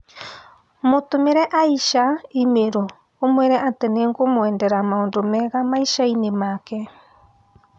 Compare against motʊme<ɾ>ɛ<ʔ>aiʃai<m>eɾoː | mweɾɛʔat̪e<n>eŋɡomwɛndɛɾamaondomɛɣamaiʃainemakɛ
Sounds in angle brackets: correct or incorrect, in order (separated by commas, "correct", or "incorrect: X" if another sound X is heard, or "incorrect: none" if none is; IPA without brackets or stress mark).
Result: correct, correct, correct, correct